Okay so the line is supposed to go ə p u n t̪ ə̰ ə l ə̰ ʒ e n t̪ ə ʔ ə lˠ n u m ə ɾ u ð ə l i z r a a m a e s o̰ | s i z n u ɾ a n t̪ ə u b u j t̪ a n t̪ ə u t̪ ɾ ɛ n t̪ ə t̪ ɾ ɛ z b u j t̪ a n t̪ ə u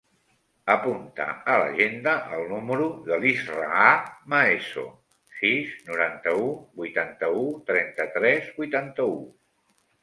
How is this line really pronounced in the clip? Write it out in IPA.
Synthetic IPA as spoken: ə p u n t̪ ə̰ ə l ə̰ ʒ e n d̪ ə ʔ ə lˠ n u m ə ɾ u ð ə l i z r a a m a e s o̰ | s i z n u ɾ a n t̪ ə u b u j t̪ a n t̪ ə u t̪ ɾ ɛ n t̪ ə t̪ ɾ ɛ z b u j t̪ a n t̪ ə u